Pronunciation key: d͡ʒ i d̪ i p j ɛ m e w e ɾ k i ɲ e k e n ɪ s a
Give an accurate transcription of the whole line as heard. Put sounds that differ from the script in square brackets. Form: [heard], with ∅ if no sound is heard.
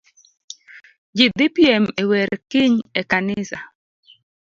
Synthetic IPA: d͡ʒ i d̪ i p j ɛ m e w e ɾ k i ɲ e k [a] n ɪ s a